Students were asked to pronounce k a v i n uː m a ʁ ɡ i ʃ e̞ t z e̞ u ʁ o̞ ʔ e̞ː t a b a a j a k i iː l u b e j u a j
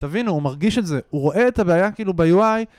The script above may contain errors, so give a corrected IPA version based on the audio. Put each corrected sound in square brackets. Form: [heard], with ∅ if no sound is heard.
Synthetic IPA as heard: [t] a v i n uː m a ʁ ɡ i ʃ e̞ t z e̞ u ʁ o̞ ʔ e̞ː t a b [e] a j a k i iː l u b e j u a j